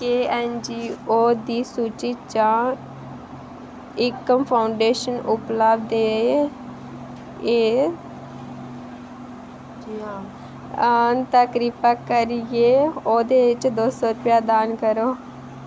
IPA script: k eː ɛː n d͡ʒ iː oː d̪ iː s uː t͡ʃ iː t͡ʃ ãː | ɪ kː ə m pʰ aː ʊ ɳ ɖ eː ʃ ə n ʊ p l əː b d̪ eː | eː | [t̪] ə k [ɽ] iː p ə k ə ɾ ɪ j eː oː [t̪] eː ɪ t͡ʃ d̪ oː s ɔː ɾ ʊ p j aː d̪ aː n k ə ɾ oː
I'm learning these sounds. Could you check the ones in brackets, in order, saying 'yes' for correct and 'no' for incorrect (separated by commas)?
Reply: yes, no, no